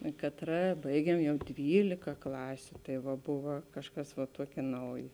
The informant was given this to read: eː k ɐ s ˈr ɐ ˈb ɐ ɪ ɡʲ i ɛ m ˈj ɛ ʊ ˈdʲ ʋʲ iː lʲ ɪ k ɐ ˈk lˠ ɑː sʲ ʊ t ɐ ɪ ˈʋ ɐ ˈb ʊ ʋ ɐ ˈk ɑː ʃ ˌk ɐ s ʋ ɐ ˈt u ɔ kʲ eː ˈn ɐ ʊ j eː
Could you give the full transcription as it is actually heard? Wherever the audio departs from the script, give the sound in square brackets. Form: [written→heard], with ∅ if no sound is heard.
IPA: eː k ɐ [s→t] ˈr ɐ ˈb ɐ ɪ ɡʲ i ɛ m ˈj ɛ ʊ ˈdʲ ʋʲ iː lʲ ɪ k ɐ ˈk lˠ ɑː sʲ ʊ t ɐ ɪ ˈʋ ɐ ˈb ʊ ʋ ɐ ˈk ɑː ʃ ˌk ɐ s ʋ ɐ ˈt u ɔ kʲ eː ˈn ɐ ʊ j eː